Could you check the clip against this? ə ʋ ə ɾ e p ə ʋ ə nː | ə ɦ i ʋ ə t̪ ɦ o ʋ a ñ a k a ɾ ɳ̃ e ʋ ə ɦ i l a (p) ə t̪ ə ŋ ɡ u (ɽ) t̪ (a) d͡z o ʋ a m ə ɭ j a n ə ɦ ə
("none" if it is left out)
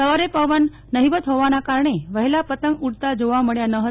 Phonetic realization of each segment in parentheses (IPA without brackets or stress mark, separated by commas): p, ɽ, a